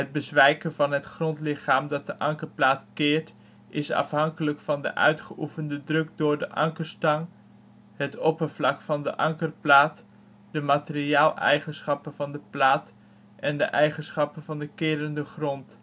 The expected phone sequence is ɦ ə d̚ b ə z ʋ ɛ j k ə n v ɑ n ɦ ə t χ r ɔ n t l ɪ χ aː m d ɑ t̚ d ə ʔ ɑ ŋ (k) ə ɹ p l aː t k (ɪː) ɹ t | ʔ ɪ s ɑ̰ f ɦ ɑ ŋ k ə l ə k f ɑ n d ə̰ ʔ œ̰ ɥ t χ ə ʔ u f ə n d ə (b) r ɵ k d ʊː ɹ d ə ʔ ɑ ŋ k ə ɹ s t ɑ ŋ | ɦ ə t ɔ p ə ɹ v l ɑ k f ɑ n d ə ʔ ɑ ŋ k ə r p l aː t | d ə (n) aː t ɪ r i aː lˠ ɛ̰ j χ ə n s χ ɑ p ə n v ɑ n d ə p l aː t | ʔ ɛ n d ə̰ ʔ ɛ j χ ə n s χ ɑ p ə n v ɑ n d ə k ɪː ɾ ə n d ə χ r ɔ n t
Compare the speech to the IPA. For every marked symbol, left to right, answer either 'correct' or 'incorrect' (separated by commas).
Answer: correct, correct, incorrect, incorrect